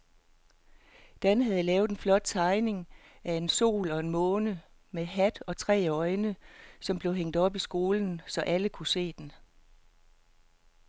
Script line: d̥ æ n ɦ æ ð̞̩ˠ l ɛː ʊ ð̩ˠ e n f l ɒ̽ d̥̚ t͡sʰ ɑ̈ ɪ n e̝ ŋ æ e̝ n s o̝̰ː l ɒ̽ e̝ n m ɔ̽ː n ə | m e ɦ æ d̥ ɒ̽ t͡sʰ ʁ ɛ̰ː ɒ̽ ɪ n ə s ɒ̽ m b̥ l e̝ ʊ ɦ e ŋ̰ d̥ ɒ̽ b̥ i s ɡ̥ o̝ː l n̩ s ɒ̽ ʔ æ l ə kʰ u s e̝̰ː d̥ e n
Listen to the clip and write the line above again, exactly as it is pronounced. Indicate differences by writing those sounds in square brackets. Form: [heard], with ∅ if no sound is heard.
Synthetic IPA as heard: d̥ æ n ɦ æ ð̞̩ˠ l ɛː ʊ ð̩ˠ e n f l ɒ̽ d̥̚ t͡sʰ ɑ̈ ɪ n e̝ ŋ æ e̝ n s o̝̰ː l ɒ̽ e̝ n m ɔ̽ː n ə | m e ɦ æ d̥ ɒ̽ t͡sʰ ʁ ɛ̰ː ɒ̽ ɪ n ə s ɒ̽ m b̥ l e̝ ʊ ɦ e ŋ̰ d̥ ɒ̽ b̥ i s ɡ̥ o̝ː l n̩ s ɒ̽ ʔ æ l ə kʰ u s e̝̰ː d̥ e n